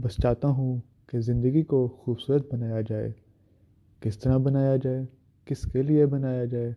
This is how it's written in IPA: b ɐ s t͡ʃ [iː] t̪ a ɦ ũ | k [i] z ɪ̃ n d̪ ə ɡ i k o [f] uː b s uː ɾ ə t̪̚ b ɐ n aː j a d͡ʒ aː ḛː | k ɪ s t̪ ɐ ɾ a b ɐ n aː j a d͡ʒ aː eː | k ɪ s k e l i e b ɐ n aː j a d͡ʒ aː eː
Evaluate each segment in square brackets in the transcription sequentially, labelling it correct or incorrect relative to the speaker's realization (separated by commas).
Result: incorrect, incorrect, incorrect